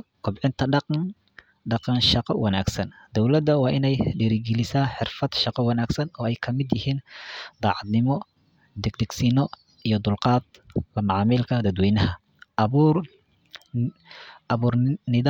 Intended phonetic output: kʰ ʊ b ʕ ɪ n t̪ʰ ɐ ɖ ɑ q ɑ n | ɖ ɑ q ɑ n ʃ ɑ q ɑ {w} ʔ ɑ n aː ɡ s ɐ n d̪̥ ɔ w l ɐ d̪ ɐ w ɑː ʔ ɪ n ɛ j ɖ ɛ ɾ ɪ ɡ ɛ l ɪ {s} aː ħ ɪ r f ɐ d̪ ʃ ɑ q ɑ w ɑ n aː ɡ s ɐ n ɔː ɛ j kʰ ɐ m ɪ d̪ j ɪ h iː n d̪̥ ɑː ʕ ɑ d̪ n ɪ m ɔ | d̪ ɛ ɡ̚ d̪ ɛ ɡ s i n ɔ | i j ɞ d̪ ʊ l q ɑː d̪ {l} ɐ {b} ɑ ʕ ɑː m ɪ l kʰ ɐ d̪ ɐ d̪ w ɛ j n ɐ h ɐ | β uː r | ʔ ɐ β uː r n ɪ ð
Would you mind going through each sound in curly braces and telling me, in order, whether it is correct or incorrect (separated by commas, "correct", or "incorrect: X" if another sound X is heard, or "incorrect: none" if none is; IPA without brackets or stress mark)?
correct, correct, correct, incorrect: m